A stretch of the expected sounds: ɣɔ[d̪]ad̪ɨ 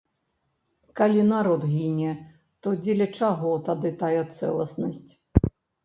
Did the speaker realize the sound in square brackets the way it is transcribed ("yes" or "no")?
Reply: no